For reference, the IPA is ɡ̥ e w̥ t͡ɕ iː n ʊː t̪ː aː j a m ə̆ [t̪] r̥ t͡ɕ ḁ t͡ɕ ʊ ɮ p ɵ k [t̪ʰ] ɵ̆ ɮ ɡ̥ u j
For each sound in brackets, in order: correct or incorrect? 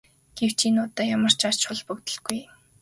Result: incorrect, incorrect

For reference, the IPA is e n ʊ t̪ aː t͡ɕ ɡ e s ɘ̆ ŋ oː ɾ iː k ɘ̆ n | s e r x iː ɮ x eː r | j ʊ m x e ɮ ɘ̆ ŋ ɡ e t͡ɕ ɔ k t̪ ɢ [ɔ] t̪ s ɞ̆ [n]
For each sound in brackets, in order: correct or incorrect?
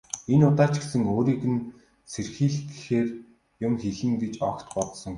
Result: correct, incorrect

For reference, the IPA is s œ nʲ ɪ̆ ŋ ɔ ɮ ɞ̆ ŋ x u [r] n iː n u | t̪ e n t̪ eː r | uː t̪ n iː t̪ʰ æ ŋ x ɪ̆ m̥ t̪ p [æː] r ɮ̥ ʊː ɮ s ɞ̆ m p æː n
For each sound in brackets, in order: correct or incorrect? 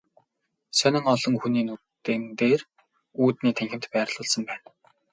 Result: incorrect, correct

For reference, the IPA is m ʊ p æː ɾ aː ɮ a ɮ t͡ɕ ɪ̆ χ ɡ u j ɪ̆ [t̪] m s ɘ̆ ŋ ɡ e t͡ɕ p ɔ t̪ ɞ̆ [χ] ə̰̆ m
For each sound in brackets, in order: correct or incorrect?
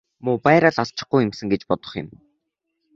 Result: incorrect, correct

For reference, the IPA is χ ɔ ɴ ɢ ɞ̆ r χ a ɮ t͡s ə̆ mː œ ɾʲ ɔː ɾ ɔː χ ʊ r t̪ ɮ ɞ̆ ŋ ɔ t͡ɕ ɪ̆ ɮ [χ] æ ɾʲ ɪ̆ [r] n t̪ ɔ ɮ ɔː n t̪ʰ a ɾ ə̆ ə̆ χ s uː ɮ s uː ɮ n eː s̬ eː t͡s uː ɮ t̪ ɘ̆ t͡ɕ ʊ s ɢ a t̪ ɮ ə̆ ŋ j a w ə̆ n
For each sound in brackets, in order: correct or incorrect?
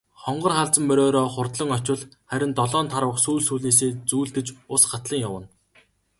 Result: correct, incorrect

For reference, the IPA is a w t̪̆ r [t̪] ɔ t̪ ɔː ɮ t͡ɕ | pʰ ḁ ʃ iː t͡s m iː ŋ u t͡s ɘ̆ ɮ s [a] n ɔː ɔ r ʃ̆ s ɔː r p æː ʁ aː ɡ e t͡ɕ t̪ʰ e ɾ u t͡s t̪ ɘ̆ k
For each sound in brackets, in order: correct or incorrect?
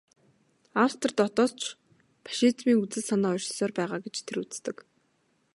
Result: correct, correct

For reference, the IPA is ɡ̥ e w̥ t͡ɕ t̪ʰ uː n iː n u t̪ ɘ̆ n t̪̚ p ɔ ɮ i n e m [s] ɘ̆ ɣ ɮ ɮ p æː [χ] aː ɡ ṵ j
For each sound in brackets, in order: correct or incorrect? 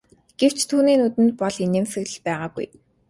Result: correct, incorrect

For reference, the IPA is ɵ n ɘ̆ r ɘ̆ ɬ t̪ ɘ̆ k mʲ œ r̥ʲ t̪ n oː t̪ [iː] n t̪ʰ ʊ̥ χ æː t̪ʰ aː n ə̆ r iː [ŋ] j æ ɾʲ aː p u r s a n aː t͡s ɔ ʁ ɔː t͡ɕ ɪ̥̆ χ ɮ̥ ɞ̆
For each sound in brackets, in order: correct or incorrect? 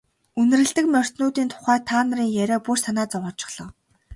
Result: correct, correct

